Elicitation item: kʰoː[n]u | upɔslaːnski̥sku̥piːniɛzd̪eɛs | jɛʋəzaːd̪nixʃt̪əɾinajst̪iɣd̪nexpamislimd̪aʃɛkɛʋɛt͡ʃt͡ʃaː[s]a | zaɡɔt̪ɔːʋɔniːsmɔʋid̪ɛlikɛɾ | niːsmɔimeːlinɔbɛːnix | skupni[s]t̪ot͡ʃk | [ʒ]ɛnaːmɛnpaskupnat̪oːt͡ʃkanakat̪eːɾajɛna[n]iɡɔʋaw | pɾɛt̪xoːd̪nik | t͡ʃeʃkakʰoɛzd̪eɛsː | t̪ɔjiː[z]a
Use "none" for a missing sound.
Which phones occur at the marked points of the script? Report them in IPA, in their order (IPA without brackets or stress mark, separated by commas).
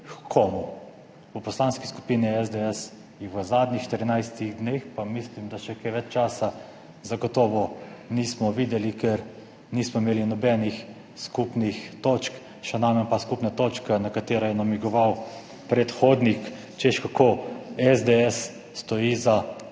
m, s, x, ʃ, m, z